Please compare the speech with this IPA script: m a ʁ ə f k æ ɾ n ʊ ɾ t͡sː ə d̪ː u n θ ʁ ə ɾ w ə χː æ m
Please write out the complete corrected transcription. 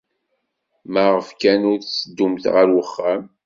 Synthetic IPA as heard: m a ʁ ə f k æ n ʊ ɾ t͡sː ə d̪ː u m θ ʁ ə ɾ w ə χː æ m